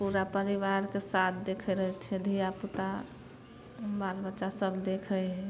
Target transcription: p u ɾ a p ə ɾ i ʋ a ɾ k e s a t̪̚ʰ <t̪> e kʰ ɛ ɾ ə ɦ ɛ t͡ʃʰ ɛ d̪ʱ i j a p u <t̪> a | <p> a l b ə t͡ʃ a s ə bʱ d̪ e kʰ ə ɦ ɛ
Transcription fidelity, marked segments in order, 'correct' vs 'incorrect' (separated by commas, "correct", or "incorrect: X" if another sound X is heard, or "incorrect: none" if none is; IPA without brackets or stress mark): incorrect: d̪, correct, incorrect: b